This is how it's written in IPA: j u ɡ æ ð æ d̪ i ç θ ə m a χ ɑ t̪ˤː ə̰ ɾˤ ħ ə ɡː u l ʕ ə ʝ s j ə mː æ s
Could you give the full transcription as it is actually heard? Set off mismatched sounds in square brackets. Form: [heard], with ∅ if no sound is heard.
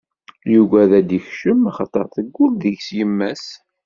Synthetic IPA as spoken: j u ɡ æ ð æ d̪ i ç [ʃ] ə m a χ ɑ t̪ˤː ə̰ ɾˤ [θ] ə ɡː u l [ð] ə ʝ s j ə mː æ s